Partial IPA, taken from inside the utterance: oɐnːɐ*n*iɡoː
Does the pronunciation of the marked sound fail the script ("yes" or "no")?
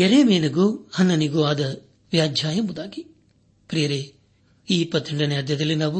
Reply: no